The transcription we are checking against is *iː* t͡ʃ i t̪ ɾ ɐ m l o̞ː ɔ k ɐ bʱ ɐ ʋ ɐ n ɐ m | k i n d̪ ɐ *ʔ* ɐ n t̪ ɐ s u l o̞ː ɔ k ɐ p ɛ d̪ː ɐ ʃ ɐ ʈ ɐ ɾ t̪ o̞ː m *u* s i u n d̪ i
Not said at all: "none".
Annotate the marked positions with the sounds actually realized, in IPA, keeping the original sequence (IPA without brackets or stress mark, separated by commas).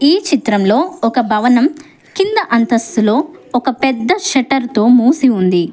iː, ʔ, uː